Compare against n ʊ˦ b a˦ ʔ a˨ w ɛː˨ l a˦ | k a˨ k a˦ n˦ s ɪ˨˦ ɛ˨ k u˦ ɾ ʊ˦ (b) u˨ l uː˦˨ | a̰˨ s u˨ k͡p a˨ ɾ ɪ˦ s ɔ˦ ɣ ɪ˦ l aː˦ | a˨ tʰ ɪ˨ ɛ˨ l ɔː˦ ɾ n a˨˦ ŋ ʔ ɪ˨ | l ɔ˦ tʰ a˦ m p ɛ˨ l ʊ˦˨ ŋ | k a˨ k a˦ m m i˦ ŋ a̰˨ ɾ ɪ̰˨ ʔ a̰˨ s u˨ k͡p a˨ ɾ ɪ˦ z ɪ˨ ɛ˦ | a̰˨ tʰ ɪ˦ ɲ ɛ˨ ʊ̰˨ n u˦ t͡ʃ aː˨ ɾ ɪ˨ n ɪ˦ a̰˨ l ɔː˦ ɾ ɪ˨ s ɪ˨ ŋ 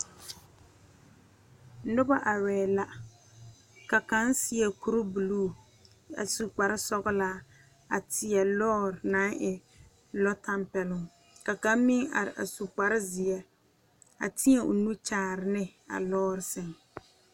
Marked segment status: correct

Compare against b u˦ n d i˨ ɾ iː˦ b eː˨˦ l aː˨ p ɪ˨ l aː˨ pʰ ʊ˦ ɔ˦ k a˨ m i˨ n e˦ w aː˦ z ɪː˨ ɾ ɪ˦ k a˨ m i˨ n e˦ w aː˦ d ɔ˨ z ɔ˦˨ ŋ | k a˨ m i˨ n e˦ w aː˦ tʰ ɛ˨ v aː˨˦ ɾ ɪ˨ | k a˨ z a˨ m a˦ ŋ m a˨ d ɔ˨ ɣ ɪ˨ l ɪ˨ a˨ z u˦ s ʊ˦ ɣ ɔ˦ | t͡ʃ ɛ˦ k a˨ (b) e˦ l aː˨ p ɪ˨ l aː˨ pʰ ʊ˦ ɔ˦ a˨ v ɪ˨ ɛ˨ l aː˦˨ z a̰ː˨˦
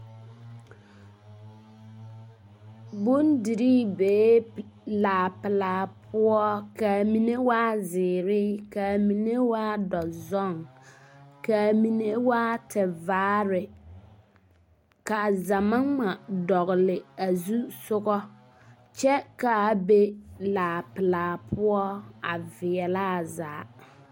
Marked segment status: correct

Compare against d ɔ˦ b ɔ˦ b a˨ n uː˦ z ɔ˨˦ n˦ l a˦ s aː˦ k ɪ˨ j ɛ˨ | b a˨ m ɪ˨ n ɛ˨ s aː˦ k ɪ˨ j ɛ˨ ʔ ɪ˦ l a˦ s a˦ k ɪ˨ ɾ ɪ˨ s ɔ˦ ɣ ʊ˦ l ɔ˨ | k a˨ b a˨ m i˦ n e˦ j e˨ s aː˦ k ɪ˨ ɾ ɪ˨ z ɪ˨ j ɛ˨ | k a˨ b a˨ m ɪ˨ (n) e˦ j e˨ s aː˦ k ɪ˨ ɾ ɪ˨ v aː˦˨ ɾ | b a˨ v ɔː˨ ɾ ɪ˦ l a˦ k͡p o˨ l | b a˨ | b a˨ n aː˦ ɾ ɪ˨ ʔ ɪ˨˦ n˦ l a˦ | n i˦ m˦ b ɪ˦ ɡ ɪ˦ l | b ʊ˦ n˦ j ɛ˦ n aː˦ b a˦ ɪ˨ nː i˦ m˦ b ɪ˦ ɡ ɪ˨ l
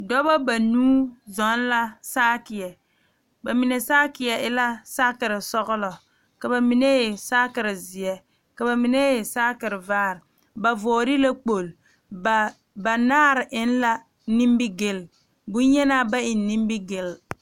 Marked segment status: correct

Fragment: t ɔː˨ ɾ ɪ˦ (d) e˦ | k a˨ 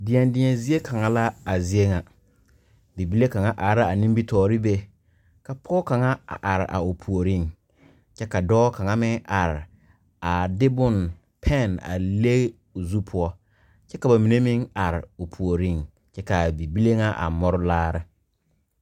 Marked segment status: incorrect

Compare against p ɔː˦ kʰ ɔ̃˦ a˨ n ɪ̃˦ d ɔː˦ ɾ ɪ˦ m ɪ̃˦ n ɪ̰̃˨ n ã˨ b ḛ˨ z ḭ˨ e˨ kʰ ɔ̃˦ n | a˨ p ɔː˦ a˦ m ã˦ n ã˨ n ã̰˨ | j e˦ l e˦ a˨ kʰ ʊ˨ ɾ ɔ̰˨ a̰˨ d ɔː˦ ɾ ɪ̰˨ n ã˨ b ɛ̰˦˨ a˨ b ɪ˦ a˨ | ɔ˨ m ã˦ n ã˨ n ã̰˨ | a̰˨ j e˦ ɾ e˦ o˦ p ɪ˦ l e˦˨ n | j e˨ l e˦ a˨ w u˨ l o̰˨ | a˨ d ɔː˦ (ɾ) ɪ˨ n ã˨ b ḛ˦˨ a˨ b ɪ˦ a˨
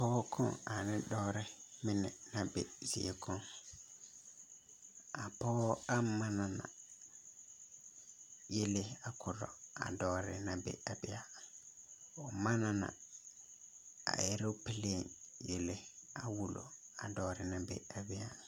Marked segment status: correct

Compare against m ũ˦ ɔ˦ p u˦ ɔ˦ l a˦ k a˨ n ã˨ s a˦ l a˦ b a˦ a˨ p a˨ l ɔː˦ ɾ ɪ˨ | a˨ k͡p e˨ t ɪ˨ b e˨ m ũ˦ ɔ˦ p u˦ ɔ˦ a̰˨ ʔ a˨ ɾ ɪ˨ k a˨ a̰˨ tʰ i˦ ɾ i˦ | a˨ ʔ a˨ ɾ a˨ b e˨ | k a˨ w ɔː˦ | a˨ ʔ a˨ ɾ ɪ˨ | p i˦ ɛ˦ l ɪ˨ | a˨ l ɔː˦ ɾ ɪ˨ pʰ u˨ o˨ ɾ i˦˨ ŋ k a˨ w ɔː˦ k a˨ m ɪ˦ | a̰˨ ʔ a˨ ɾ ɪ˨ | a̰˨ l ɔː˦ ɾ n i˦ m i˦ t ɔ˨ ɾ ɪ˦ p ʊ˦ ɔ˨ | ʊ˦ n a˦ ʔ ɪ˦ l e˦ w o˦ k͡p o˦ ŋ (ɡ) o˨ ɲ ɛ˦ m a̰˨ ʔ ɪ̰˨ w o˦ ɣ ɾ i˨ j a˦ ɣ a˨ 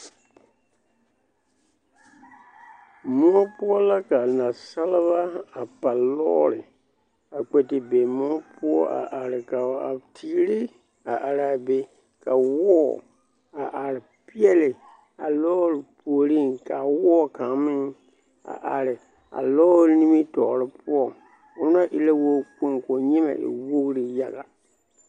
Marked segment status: incorrect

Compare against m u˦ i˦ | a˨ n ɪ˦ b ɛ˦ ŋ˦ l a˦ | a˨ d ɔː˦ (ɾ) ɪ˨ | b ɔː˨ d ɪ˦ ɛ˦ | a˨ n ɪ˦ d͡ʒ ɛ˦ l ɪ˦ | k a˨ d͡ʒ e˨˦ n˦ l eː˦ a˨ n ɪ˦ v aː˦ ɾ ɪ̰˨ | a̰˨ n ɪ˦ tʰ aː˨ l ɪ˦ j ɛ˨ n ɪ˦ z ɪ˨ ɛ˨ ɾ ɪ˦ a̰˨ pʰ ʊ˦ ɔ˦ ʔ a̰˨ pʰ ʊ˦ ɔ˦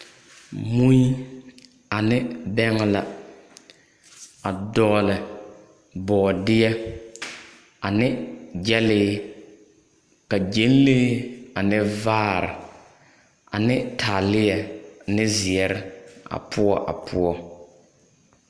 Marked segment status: incorrect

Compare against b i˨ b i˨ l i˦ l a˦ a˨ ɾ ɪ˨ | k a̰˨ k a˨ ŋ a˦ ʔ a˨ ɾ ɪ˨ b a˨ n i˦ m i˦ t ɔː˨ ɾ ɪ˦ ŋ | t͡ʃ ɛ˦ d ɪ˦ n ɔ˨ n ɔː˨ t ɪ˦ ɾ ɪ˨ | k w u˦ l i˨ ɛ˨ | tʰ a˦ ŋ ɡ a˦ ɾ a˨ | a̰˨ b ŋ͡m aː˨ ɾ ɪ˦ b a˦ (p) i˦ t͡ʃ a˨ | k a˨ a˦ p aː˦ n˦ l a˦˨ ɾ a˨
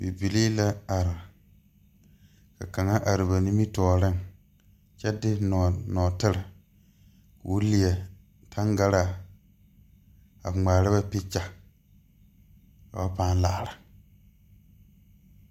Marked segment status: correct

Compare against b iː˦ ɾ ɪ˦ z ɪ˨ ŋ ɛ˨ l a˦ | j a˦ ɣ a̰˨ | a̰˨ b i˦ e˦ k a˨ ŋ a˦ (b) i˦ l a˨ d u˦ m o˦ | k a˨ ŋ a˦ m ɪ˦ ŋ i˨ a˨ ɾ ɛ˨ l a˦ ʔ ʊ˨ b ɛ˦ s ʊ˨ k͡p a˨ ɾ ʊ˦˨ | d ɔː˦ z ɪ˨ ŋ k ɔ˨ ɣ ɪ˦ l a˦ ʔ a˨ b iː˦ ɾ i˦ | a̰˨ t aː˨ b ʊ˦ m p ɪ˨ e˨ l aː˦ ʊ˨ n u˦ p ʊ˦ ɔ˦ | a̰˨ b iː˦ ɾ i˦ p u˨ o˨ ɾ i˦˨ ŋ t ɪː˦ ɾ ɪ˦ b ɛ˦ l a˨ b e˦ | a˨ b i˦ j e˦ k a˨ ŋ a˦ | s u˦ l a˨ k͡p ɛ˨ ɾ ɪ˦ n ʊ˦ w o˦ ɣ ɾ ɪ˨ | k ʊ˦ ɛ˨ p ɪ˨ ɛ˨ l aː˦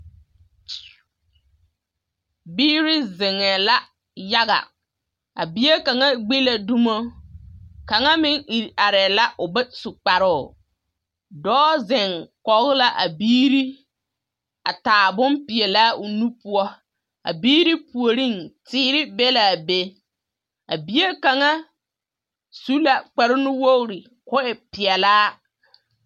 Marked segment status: incorrect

